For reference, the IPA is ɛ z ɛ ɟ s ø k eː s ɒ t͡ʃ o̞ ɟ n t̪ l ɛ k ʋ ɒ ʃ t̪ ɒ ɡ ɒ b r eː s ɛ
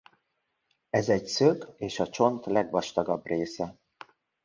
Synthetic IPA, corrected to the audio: ɛ z ɛ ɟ s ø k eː ʃ ɒ t͡ʃ o̞ n t̪ l ɛ ɡ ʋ ɒ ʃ t̪ ɒ ɡ ɒ b r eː s ɛ